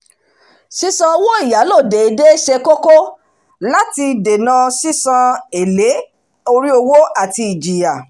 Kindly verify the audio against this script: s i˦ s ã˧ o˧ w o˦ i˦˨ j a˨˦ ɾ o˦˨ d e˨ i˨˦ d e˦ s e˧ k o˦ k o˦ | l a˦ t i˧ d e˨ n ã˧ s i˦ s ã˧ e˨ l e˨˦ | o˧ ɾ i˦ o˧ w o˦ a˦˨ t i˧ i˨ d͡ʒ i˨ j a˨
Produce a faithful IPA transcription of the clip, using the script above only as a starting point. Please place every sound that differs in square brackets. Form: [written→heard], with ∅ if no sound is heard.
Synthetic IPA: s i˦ s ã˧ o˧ w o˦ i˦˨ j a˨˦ [ɾ→l] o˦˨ d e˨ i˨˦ d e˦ [s→ʃ] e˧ k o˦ k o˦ | l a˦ t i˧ d e˨ n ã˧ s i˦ s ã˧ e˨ l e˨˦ | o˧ ɾ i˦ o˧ w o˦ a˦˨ t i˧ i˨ d͡ʒ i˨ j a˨